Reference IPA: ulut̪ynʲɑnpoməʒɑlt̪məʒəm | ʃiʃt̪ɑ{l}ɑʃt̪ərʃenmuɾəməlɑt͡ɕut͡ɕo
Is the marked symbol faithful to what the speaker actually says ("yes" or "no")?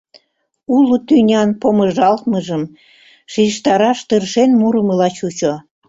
no